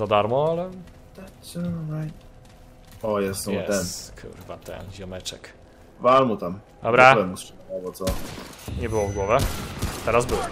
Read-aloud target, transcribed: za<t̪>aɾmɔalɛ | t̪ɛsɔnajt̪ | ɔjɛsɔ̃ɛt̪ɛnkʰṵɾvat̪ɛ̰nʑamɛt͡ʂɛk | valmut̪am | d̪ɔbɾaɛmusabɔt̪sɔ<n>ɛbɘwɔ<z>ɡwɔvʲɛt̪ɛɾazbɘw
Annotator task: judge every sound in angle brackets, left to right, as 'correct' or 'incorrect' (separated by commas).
incorrect, incorrect, incorrect